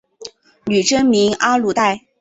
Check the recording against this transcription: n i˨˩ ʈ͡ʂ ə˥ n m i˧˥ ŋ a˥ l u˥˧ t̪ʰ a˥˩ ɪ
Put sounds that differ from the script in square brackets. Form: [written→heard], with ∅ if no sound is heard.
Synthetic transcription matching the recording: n [i˨˩→y˨˩] ʈ͡ʂ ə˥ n m i˧˥ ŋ a˥ l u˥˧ [t̪ʰ→t̪] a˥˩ ɪ